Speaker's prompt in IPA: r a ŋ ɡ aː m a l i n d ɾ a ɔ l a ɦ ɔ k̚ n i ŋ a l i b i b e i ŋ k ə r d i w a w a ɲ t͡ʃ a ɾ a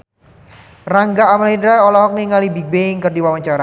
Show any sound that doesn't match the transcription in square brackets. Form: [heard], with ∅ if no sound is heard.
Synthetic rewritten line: r a ŋ ɡ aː m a l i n d ɾ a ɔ l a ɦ ɔ k̚ n i ŋ a l i b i b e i ŋ k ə r d i w a w a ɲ t͡ʃ a ɾ a